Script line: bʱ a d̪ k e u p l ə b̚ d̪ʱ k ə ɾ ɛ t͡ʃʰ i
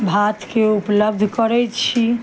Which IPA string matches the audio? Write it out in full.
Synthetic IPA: bʱ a t̪ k e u p l ə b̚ d̪ʱ k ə ɾ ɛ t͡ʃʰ i